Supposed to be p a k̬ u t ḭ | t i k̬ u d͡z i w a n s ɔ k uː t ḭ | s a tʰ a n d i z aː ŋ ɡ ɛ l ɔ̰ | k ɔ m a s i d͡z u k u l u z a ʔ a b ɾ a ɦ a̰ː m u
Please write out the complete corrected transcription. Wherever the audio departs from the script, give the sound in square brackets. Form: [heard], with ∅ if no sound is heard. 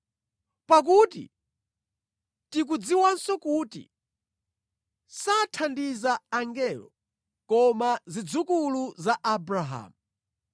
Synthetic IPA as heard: p a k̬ u t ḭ | t i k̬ u d͡z i w a n s ɔ k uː t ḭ | s a tʰ a n d i z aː ŋ ɡ ɛ l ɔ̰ | k ɔ m a [z] i d͡z u k u l u z a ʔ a b ɾ a ɦ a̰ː m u